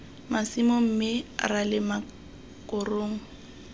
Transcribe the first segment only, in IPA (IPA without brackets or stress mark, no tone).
m